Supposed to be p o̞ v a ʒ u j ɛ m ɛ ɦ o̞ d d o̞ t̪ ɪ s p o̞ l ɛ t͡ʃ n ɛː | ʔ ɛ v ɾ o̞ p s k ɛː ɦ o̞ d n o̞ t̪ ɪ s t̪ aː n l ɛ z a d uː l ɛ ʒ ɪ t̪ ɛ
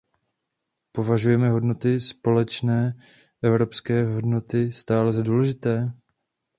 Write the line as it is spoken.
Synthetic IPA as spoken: p o̞ v a ʒ u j ɛ m ɛ ɦ o̞ d n o̞ t̪ ɪ s p o̞ l ɛ t͡ʃ n ɛː | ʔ ɛ v ɾ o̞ p s k ɛː ɦ o̞ d n o̞ t̪ ɪ s t̪ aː l ɛ z a d uː l ɛ ʒ ɪ t̪ ɛː